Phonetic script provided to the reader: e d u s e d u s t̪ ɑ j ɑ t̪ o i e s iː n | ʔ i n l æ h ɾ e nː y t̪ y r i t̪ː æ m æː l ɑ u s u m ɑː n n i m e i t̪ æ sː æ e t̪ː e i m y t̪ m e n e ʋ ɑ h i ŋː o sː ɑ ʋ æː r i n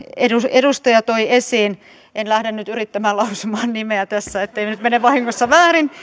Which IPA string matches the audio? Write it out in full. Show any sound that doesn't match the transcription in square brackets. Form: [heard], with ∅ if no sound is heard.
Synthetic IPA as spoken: e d u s e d u s t̪ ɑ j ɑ t̪ o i e s iː n | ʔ [e] n l æ h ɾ e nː y t̪ y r i t̪ː æ m æː l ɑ u s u m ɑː n n i m e [æ] t̪ æ sː æ e t̪ː e i [n] y t̪ m e n e ʋ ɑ h i ŋː o sː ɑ ʋ æː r i n